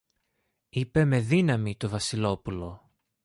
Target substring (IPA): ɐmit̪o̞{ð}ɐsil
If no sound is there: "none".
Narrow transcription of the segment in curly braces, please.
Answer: v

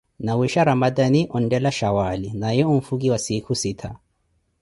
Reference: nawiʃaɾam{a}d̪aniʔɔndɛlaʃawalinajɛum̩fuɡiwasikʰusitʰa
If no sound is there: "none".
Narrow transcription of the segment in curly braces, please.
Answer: a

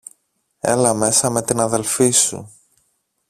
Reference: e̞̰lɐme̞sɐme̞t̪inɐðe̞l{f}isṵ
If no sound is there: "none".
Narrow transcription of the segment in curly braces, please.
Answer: f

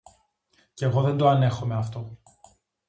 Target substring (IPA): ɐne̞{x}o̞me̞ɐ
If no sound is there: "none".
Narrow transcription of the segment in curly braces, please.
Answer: x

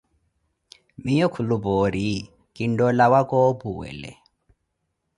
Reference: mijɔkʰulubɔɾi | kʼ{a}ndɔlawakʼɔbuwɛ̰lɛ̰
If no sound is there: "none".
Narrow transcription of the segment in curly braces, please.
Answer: i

